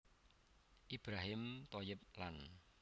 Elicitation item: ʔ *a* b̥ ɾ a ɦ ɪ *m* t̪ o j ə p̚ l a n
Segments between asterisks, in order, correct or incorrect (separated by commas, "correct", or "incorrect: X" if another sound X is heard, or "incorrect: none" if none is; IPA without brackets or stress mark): incorrect: i, correct